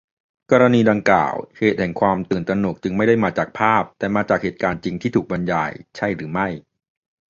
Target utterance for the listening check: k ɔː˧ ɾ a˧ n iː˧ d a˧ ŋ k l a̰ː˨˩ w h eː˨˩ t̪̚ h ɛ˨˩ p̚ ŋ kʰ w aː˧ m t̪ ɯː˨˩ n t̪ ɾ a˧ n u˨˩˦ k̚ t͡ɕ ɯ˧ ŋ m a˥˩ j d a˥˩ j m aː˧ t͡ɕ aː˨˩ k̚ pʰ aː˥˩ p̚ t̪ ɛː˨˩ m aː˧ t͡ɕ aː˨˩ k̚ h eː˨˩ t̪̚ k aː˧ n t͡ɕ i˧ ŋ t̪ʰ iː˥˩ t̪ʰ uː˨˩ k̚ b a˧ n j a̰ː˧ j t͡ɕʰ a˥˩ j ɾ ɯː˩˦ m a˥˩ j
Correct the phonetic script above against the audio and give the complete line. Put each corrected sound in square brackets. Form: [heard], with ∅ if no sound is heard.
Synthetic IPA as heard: k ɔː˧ ɾ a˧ n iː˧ d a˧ ŋ k l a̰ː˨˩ w h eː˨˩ t̪̚ h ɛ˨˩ [∅] ŋ kʰ w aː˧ m t̪ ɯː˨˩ n t̪ ɾ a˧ n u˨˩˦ k̚ t͡ɕ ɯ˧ ŋ m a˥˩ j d a˥˩ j m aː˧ t͡ɕ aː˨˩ k̚ pʰ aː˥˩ p̚ t̪ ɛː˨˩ m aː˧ t͡ɕ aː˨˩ k̚ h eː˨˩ t̪̚ k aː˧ n t͡ɕ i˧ ŋ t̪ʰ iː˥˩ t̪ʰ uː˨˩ k̚ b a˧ n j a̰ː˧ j t͡ɕʰ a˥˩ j ɾ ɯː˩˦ m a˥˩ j